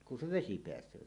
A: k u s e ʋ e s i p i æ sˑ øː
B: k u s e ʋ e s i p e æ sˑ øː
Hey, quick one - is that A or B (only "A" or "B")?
B